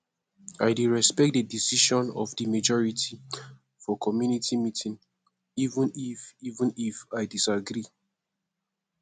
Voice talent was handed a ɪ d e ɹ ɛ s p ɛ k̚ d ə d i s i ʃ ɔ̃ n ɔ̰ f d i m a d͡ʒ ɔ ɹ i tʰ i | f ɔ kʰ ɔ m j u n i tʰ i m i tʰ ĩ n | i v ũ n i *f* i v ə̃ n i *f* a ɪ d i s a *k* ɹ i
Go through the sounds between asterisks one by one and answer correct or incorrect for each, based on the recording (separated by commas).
correct, correct, incorrect